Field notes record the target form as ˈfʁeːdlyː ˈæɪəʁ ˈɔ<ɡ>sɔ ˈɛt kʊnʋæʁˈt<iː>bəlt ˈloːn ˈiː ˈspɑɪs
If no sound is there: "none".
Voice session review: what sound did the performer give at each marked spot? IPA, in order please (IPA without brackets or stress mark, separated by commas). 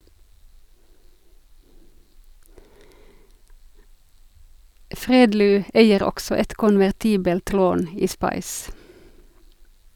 k, iː